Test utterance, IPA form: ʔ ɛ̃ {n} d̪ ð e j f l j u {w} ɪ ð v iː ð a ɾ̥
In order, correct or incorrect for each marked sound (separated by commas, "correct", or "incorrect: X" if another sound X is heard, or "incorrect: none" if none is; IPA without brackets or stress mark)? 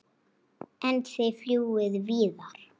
correct, correct